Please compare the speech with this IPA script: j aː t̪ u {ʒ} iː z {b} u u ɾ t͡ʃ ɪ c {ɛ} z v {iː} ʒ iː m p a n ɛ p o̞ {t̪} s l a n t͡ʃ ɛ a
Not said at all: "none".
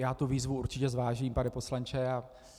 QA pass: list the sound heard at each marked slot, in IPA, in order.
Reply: v, v, ɛ, aː, none

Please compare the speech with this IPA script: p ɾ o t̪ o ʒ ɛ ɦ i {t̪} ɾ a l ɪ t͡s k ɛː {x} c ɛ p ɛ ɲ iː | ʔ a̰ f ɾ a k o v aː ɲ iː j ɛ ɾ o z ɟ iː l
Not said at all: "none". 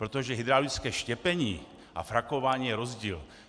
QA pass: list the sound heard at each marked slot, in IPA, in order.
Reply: d̪, ʃ

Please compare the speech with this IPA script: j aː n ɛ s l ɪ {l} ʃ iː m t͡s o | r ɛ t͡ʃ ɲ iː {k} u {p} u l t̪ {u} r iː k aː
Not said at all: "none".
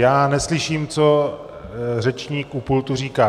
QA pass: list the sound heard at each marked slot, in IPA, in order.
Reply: none, k, p, u

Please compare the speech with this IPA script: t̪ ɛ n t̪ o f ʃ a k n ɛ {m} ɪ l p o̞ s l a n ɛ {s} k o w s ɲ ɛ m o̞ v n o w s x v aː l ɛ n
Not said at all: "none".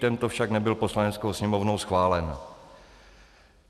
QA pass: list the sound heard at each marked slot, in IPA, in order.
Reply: b, t͡s

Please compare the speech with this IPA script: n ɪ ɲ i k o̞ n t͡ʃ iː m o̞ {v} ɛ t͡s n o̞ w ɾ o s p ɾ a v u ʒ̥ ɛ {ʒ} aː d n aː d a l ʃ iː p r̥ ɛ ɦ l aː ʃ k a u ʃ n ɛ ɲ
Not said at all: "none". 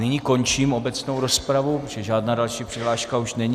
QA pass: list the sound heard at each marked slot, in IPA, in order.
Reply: b, ʒ

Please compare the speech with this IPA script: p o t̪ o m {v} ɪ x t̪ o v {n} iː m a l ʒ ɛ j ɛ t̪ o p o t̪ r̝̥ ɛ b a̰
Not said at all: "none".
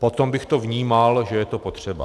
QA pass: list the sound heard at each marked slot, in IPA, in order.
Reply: b, ɲ

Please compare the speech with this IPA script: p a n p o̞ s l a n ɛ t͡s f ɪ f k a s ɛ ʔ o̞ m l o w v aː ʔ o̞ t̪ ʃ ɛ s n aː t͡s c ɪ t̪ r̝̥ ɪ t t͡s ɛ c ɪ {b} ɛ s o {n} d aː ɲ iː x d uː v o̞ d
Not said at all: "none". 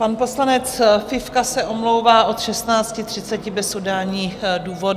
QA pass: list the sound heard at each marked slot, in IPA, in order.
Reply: b, none

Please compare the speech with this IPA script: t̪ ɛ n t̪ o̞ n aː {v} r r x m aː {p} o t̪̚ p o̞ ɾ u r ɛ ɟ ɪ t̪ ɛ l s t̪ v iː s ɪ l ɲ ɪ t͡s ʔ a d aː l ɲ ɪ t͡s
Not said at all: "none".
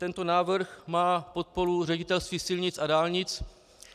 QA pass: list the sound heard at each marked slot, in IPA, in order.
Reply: v, p

